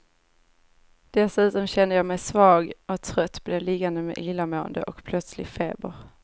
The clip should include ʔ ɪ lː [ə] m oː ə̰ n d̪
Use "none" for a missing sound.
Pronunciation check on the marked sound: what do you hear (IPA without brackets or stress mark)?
a